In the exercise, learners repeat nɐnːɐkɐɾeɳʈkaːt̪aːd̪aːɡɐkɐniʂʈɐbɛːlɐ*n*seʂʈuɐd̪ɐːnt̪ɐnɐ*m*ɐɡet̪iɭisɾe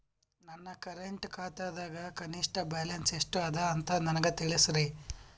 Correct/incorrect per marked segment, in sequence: correct, incorrect

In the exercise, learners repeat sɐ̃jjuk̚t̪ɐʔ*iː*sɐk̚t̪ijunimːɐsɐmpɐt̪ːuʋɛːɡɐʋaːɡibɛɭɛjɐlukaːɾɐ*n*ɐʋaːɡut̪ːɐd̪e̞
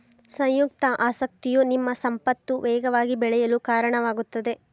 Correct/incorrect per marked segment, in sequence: incorrect, incorrect

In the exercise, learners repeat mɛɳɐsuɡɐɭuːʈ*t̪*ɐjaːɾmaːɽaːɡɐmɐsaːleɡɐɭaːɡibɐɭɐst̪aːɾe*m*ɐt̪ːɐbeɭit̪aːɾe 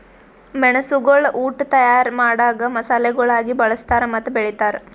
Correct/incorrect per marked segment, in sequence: correct, correct

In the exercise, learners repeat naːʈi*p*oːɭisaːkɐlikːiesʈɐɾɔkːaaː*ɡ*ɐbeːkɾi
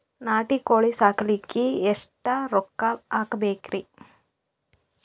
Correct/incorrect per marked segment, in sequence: incorrect, incorrect

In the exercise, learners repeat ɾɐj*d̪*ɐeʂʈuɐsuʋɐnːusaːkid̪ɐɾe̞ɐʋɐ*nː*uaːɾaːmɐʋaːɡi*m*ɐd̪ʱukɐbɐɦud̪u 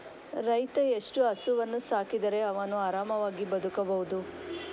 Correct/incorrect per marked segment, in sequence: incorrect, incorrect, incorrect

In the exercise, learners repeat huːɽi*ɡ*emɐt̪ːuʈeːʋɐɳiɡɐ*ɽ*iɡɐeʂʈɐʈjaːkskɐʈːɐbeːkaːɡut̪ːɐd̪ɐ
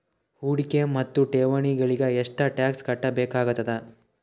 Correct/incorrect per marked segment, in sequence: incorrect, incorrect

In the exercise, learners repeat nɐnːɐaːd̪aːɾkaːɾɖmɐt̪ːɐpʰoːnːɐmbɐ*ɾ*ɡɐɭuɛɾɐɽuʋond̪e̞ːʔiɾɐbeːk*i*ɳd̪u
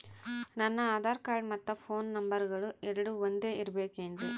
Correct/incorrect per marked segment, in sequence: correct, incorrect

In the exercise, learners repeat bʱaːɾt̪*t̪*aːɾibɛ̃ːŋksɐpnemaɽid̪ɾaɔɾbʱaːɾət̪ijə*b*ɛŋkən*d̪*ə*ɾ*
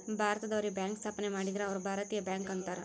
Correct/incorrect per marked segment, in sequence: incorrect, correct, incorrect, correct

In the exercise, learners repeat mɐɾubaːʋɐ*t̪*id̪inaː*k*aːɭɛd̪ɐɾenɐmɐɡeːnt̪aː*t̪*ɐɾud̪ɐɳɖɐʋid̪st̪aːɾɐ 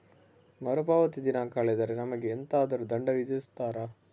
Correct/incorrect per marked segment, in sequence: correct, correct, incorrect

